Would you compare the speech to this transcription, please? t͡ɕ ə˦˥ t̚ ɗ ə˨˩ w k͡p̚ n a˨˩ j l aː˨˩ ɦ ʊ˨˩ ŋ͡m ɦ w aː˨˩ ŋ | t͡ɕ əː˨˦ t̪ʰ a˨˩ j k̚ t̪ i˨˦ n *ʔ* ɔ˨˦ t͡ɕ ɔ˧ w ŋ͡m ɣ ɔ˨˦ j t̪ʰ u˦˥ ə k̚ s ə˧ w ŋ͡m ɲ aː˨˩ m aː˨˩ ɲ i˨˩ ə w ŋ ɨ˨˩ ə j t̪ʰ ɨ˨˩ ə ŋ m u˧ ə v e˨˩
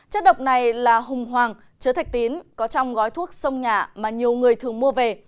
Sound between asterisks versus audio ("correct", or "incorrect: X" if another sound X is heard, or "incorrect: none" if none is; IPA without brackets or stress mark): incorrect: k